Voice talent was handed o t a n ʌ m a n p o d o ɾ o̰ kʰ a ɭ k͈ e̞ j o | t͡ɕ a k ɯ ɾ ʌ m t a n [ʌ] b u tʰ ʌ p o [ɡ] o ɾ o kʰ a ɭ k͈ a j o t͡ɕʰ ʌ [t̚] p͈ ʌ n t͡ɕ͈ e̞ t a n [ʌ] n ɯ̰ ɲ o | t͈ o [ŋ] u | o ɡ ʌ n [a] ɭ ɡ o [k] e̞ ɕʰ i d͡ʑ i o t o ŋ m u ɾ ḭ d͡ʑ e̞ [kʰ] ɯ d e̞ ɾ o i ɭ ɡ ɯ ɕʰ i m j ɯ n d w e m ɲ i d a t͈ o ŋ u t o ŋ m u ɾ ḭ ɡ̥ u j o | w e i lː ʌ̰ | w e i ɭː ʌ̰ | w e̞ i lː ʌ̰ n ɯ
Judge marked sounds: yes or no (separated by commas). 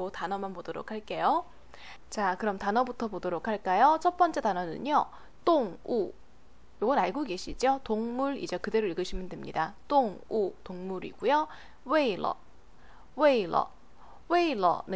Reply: yes, no, yes, yes, yes, yes, no, no